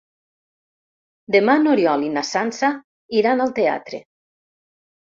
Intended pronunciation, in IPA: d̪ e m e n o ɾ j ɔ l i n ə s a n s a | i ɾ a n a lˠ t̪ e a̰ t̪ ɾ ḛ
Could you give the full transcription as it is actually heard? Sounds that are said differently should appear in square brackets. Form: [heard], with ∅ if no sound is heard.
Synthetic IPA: d̪ e m [a] n o ɾ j ɔ l i n [a] s a n s a | i ɾ a n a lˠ t̪ e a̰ t̪ ɾ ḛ